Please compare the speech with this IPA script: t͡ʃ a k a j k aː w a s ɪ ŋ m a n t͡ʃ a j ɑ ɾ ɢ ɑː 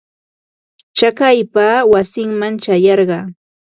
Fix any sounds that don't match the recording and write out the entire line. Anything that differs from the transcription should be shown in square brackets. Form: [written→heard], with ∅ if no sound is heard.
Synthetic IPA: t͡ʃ a k a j [k→p] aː w a s ɪ ŋ m a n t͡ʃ a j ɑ ɾ ɢ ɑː